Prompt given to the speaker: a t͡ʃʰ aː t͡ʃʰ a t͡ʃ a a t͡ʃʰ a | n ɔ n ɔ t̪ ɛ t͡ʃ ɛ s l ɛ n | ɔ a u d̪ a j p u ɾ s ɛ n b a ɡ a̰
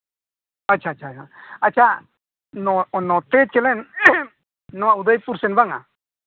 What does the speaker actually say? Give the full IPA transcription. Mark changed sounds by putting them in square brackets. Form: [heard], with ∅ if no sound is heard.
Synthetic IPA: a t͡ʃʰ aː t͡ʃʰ a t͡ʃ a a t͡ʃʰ a | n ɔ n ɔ t̪ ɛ t͡ʃ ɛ [∅] l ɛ n | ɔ a u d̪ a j p u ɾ s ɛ n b a [ŋ] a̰

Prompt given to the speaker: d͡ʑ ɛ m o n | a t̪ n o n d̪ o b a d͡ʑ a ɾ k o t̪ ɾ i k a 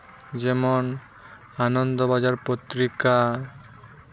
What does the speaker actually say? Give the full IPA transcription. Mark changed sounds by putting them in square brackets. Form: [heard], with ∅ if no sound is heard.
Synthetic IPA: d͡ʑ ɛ m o n | a [∅] n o n d̪ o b a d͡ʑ a ɾ [p] o t̪ ɾ i k a

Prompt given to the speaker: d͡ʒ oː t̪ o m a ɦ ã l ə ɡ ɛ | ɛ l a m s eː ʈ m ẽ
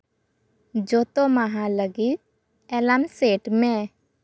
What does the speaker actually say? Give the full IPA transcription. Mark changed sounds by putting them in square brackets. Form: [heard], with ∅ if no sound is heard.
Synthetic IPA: d͡ʒ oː t̪ o m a ɦ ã l ə ɡ [i] | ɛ l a m s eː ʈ m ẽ

